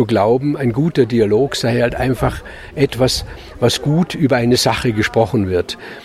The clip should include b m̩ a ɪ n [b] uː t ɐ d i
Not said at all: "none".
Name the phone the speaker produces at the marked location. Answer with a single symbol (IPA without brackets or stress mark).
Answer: ɡ